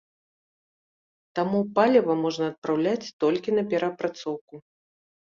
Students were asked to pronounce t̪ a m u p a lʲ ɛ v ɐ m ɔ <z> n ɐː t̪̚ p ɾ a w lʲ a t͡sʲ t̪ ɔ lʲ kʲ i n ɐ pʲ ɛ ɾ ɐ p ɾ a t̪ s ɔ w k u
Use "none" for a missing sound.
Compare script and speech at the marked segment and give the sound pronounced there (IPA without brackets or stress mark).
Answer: ʐ